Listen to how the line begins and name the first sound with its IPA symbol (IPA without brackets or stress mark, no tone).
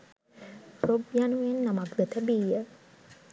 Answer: p